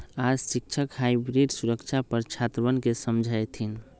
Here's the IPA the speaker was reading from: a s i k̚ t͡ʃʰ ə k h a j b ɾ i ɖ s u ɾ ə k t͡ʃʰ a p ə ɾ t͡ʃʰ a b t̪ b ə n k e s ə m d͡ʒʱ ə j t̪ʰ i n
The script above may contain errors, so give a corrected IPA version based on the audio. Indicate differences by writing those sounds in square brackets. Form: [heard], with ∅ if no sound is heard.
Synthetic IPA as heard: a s i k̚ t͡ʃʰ ə k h a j b ɾ i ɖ s u ɾ ə k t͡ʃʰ a p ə ɾ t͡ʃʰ a [∅] t̪ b ə n k e s ə m d͡ʒʱ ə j t̪ʰ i n